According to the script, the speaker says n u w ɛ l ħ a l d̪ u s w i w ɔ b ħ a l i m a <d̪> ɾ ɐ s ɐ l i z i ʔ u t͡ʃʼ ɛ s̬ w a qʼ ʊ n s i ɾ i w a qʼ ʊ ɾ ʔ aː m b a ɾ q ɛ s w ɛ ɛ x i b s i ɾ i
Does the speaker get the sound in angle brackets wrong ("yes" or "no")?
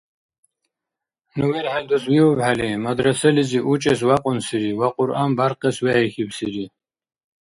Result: no